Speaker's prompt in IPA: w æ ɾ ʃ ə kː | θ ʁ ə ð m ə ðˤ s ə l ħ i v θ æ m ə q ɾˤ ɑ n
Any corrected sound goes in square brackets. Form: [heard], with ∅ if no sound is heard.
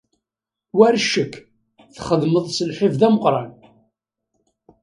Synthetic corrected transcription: w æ ɾ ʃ ə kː | θ [χ] ə ð m ə ðˤ s ə l ħ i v [ð] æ m ə q ɾˤ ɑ n